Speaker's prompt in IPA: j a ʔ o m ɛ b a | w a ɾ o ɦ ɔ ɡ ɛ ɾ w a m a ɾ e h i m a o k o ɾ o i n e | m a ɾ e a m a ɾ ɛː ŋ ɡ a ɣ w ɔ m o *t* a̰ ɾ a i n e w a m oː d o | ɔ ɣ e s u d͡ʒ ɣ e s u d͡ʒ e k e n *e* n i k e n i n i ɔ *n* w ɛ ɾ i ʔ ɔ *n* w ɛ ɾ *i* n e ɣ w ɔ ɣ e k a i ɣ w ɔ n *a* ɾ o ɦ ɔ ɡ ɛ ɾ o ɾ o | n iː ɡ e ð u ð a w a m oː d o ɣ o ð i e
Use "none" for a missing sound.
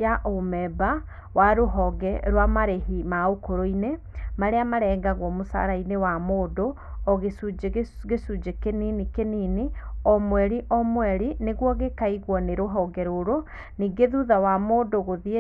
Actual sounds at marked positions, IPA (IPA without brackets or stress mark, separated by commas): s, i, m, m, i, e